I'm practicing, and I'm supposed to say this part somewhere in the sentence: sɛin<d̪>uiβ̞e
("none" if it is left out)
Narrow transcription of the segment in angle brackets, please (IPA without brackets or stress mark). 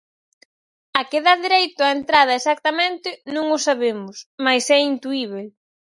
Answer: t̪